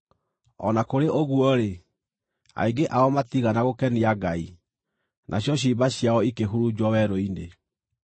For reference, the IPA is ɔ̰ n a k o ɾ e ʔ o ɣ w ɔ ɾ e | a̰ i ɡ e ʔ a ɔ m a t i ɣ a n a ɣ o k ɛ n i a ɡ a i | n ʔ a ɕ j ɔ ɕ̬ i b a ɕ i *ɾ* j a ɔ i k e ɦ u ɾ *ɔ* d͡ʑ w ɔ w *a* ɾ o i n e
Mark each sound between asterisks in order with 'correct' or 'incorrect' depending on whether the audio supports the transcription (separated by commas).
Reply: incorrect, incorrect, incorrect